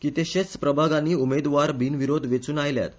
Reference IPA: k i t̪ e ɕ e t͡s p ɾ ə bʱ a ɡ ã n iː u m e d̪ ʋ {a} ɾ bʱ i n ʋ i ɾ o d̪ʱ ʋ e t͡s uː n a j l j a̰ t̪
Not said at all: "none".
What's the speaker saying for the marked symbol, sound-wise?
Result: a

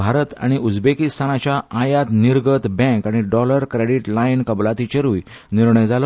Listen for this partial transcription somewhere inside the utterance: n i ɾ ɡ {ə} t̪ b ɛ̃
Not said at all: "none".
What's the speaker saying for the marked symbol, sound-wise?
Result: ə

